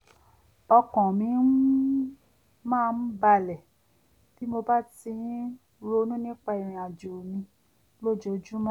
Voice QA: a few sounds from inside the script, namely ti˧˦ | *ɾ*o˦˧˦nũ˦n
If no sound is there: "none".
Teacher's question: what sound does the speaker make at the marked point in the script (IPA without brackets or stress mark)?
ɾ